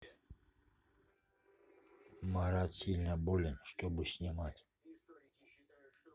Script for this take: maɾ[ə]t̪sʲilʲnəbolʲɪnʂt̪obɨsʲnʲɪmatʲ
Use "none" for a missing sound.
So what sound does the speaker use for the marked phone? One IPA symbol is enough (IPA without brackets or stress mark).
a